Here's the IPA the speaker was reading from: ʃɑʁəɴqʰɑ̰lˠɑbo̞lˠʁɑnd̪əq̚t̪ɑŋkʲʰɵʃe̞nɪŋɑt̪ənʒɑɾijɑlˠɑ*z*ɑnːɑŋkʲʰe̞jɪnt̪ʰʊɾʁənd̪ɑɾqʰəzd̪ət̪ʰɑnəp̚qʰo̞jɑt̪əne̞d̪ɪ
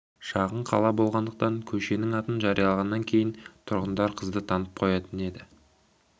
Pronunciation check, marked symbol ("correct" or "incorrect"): incorrect